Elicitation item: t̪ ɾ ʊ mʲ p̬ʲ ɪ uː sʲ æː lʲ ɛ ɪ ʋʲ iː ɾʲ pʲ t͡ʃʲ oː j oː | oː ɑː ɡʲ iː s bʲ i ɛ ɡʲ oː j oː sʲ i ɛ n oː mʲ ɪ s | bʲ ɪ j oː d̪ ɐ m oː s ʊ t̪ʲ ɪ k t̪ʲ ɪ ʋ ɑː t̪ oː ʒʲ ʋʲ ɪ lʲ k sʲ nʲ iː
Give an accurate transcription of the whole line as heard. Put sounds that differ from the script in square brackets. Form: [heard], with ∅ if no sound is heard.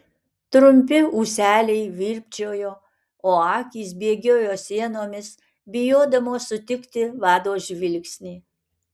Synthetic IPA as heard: t̪ ɾ ʊ mʲ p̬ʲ ɪ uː sʲ æː lʲ ɛ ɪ ʋʲ iː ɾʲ pʲ t͡ʃʲ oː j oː | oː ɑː [kʲ] iː s bʲ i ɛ ɡʲ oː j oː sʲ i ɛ n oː mʲ ɪ s | bʲ ɪ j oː d̪ ɐ m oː s ʊ t̪ʲ ɪ k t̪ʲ ɪ ʋ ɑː [d̪] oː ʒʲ ʋʲ ɪ lʲ k sʲ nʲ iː